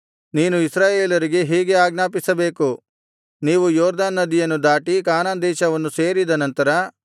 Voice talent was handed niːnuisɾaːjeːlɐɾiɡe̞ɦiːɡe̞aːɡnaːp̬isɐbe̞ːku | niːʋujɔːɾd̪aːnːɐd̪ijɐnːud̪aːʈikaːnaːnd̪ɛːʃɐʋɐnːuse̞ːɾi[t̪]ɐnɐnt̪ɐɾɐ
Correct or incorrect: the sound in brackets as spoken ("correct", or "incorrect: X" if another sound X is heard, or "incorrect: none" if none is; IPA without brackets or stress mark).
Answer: incorrect: d̪